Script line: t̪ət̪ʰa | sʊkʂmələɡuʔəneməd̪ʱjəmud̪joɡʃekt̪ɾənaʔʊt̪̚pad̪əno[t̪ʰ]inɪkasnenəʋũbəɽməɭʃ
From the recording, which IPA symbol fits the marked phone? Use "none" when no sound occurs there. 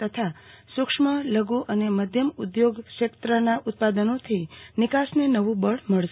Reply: t̪ʰ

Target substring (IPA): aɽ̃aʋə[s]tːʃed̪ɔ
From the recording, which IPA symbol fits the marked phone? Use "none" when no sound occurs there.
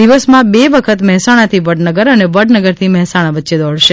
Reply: none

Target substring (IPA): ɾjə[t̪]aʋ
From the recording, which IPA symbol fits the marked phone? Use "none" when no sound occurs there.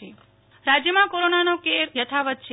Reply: t̪ʰ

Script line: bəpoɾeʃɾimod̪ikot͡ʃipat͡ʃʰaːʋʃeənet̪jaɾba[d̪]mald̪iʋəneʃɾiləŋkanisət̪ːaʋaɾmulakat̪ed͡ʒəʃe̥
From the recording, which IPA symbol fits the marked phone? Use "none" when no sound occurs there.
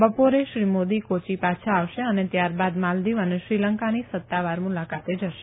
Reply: d̪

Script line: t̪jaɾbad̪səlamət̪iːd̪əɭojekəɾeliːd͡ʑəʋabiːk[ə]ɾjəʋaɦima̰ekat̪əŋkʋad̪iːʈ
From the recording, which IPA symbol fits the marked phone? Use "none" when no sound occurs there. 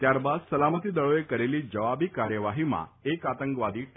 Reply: a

